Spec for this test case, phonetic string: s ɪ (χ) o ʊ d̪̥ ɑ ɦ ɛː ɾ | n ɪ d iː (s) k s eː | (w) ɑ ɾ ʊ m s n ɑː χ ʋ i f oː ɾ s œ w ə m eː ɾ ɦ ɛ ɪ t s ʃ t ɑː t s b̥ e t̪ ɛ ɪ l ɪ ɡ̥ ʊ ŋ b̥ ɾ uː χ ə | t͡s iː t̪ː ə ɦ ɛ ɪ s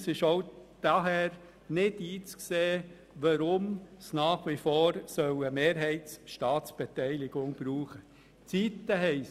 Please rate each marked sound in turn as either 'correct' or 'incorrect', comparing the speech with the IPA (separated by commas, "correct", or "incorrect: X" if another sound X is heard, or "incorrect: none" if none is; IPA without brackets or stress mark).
incorrect: ʃ, incorrect: t͡s, incorrect: ʋ